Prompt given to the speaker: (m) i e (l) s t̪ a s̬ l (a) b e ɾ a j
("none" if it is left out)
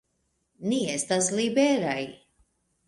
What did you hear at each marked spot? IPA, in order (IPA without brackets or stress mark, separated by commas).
n, none, i